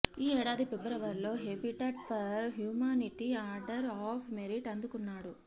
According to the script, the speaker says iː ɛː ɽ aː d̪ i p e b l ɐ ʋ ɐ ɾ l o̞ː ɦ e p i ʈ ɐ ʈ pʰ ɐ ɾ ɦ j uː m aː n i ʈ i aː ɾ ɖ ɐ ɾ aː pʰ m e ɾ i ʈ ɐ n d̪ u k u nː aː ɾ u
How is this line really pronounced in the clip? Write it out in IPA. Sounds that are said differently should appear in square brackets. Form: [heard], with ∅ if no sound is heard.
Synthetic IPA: iː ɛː ɽ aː d̪ i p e b [ɾ] ɐ ʋ ɐ ɾ l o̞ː ɦ e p i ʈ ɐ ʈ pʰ ɐ ɾ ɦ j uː m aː n i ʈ i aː ɾ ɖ ɐ ɾ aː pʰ m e ɾ i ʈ ɐ n d̪ u k u nː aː [ɽ] u